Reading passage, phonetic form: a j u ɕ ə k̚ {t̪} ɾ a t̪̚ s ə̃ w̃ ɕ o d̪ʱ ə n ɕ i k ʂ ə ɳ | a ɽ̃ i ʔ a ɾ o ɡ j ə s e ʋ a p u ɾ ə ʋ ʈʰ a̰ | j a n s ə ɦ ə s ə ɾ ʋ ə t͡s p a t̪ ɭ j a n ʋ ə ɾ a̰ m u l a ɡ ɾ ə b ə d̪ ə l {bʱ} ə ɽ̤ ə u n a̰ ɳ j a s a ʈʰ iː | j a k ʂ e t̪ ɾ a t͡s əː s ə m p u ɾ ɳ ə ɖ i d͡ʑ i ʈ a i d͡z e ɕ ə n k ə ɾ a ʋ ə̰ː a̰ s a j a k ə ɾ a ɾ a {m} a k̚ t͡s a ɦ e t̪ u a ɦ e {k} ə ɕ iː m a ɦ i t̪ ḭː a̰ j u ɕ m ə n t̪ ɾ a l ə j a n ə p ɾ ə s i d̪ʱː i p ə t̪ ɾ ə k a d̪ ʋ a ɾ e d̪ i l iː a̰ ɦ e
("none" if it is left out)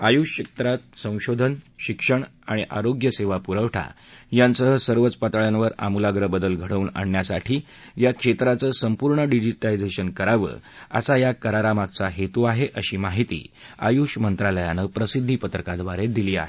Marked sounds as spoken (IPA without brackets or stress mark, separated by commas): t̪, ɡʱ, m, ʔ